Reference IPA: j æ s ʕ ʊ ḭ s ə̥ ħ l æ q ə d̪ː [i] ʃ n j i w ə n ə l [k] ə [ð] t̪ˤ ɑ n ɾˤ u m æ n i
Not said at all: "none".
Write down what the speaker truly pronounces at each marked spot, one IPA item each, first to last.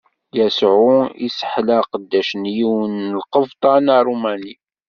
æ, q, v

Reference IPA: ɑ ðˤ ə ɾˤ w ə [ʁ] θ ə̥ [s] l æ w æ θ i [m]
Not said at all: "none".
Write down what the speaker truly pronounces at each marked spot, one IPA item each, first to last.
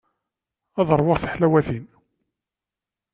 ʁ, ħ, n

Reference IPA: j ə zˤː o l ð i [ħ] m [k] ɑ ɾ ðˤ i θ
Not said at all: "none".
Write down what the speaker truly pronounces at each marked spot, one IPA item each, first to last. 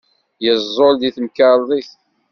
θ, k

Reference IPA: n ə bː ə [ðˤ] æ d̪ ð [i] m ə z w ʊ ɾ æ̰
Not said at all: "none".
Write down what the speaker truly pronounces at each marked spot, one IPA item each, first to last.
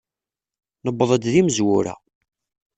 ðˤ, i

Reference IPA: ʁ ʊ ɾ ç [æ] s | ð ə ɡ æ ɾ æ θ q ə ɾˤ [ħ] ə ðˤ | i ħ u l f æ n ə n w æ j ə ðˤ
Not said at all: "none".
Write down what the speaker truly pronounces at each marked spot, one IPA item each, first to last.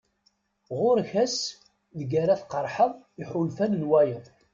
æ, ħ

